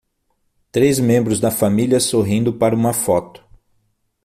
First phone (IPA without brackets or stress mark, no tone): t̪